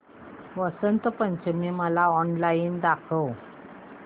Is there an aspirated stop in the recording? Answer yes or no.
yes